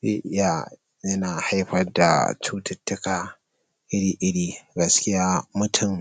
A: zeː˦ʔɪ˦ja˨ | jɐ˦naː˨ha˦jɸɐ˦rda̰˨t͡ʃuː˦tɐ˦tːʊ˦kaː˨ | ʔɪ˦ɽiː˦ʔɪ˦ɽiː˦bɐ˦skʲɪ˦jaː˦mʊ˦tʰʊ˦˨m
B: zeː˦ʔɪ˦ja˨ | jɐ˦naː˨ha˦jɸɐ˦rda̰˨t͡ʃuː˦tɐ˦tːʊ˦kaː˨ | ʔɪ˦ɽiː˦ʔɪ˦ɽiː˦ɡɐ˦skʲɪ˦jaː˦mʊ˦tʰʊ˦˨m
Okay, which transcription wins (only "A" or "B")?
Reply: B